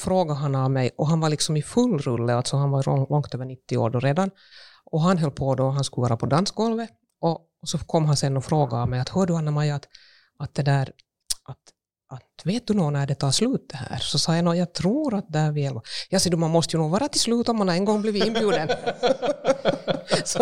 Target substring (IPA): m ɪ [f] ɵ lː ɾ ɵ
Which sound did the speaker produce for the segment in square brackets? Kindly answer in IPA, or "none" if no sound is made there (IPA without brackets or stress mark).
f